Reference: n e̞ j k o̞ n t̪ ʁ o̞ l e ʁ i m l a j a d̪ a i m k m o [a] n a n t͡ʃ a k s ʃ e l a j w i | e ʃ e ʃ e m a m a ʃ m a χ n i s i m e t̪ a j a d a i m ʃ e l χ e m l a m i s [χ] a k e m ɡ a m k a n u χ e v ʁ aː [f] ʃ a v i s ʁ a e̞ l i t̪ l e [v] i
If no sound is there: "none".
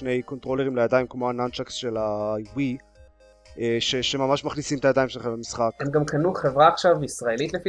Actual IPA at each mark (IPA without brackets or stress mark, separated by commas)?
a, χ, χ, f